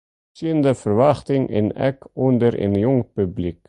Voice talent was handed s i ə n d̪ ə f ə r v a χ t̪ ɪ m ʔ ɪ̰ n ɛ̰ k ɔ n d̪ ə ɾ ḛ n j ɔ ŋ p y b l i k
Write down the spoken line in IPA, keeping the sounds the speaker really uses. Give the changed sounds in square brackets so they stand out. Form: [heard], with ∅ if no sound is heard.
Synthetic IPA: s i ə n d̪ ə f ə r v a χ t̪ ɪ [ŋ] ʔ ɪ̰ n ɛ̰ k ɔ n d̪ ə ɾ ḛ n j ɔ ŋ p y b l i k